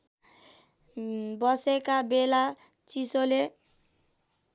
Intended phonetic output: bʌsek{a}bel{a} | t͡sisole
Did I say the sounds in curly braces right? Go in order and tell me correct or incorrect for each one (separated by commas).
correct, correct